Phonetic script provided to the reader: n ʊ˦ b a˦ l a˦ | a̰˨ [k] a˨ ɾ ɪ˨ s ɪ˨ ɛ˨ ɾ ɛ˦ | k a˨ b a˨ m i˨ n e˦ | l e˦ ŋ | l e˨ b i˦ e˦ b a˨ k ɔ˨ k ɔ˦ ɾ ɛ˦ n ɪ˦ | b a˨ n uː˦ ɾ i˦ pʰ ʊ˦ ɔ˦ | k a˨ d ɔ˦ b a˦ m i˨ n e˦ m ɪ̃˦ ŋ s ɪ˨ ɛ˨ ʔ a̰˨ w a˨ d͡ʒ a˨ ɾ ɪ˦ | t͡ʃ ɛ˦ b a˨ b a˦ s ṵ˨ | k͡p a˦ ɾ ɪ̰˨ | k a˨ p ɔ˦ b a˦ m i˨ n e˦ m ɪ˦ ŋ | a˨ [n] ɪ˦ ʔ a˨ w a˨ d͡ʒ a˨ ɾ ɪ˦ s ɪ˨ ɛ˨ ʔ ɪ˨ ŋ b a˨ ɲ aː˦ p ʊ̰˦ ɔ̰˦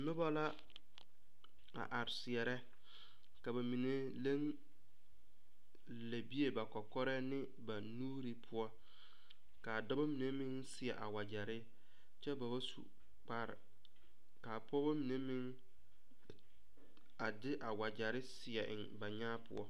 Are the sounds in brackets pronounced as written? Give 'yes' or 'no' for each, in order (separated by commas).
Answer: no, no